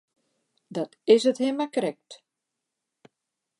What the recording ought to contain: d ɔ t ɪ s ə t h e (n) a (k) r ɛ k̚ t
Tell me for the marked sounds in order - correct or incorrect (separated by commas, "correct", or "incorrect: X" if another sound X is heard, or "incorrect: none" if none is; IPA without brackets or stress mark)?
incorrect: m, correct